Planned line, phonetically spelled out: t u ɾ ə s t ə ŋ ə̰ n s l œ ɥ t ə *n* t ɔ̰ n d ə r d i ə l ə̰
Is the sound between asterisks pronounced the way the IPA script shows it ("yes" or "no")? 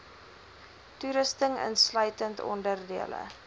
yes